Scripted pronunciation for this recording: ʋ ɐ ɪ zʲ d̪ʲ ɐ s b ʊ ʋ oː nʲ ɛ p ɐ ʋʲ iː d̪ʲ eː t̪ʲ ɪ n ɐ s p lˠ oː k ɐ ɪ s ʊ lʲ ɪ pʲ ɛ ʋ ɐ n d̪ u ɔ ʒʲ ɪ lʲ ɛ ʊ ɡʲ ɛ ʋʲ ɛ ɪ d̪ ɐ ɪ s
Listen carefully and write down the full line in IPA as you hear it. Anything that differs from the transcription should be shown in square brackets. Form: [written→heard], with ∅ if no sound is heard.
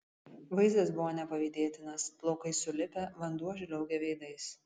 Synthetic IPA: ʋ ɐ ɪ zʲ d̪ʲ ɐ s b ʊ ʋ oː nʲ ɛ p ɐ ʋʲ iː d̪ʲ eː t̪ʲ ɪ n ɐ s p lˠ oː k ɐ ɪ s ʊ lʲ ɪ pʲ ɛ ʋ ɐ n d̪ u ɔ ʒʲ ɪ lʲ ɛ ʊ ɡʲ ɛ ʋʲ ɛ ɪ d̪ ɐ ɪ s